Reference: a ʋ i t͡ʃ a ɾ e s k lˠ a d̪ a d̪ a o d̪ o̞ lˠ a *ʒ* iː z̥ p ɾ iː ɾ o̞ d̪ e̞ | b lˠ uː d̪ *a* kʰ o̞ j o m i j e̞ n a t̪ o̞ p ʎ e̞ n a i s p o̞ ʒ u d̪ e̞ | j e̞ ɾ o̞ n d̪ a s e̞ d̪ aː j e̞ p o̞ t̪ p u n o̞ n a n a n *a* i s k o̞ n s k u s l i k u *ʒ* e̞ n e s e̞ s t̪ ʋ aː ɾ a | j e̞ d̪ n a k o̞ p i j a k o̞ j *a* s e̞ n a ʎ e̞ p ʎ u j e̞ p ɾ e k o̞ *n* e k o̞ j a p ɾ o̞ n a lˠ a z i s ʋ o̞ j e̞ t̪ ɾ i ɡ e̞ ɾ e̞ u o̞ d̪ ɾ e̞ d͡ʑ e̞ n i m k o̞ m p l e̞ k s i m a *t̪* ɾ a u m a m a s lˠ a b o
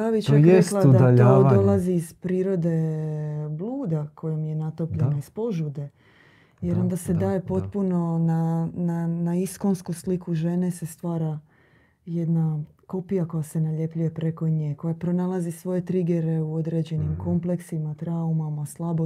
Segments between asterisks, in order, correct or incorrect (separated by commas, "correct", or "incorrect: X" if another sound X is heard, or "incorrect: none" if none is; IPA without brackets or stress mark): incorrect: z, correct, correct, correct, correct, incorrect: ɲ, correct